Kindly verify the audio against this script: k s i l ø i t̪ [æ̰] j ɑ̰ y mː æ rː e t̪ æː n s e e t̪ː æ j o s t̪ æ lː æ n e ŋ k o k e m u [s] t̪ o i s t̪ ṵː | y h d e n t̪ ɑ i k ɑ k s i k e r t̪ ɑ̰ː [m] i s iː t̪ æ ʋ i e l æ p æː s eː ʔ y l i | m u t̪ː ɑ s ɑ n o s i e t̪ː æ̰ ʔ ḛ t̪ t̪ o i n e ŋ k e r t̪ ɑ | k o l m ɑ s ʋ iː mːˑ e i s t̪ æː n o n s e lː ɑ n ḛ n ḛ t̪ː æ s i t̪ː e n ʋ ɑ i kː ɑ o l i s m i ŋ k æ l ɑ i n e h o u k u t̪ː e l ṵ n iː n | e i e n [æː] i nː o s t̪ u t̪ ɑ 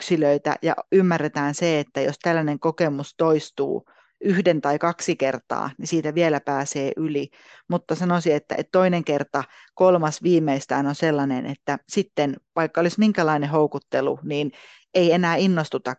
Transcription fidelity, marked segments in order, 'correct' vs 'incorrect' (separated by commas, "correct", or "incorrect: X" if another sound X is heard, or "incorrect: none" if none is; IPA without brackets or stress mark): correct, correct, incorrect: n, correct